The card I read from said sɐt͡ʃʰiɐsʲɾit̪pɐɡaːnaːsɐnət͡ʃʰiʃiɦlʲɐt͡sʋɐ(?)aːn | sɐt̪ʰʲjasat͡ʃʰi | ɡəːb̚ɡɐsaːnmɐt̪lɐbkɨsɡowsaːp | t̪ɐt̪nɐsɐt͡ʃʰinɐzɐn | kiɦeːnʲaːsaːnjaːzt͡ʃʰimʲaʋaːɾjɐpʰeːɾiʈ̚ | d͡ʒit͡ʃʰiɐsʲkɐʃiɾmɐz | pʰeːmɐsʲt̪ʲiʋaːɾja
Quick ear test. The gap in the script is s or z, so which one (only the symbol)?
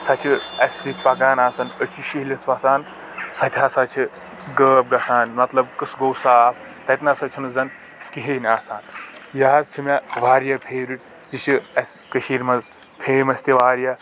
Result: s